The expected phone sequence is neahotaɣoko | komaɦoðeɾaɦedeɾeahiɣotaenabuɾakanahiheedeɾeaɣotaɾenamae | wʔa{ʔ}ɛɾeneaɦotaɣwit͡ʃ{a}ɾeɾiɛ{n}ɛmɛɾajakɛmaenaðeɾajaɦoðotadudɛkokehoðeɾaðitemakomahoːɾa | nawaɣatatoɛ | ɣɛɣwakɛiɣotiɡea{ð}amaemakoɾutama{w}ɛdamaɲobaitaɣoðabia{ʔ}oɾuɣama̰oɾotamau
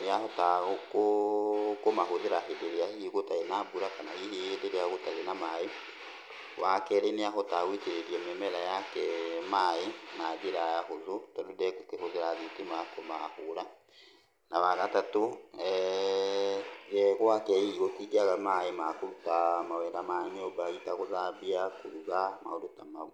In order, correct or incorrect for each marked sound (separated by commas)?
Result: incorrect, incorrect, incorrect, incorrect, correct, incorrect